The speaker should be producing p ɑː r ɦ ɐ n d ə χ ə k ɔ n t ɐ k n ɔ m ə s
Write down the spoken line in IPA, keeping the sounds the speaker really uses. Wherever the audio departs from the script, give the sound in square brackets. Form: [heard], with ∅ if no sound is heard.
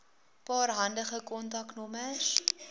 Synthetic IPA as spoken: p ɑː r ɦ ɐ n d ə χ ə k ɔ n t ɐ k n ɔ m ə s

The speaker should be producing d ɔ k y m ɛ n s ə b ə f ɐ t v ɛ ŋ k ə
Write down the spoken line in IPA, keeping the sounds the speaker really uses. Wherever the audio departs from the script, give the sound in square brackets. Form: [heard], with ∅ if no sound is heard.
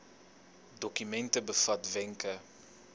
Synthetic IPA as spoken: d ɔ k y m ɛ n [t] ə b ə f ɐ t v ɛ ŋ k ə

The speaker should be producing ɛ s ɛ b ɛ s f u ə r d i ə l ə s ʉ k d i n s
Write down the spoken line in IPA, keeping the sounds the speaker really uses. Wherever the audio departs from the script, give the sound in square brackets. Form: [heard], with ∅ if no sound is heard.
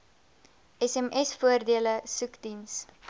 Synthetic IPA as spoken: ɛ s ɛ [m] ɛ s f u ə r d i ə l ə s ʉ k d i n s

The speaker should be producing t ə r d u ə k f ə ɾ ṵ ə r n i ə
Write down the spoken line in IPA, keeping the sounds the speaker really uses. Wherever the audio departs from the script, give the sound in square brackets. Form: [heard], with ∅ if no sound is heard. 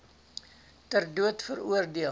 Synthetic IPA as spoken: t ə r d u ə [t] f ə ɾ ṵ ə r [d] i ə

